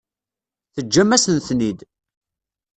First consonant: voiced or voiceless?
voiceless